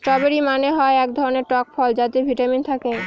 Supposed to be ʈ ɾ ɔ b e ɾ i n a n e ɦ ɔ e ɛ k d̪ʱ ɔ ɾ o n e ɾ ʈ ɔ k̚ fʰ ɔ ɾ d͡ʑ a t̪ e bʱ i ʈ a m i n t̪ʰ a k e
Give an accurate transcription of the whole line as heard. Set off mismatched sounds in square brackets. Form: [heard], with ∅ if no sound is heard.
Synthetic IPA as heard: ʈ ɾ ɔ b e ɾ i [m] a n e ɦ ɔ e ɛ k d̪ʱ ɔ ɾ o n e ɾ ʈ ɔ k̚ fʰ ɔ [l] d͡ʑ a t̪ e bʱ i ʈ a m i n t̪ʰ a k e